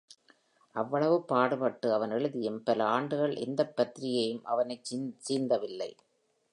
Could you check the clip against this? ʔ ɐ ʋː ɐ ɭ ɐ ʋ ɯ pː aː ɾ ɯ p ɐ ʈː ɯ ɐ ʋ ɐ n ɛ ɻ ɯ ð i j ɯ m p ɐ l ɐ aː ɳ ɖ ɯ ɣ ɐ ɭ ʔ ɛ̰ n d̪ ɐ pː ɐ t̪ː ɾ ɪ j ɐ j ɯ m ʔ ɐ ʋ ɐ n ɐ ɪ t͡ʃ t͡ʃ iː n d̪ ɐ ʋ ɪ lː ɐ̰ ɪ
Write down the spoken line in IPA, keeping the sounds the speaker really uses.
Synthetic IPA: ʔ ɐ ʋː ɐ ɭ ɐ ʋ ɯ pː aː ɽ ɯ p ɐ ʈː ɯ ɐ ʋ ɐ n ɛ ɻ ɯ ð ɪ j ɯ m p ɐ l ɐ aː ɳ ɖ ɯ ɣ ɐ ɭ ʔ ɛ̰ n d̪ ɐ pː ɐ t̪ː ɾ ɪ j ɐ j ɯ m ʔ ɐ ʋ ɐ n ɐ ɪ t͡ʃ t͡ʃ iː n d̪ ɐ ʋ ɪ lː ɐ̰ ɪ